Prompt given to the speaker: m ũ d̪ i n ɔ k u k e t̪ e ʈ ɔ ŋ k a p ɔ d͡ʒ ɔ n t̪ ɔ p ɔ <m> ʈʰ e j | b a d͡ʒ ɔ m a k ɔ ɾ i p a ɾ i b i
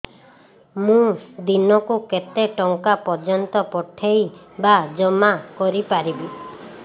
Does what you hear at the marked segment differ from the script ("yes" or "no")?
yes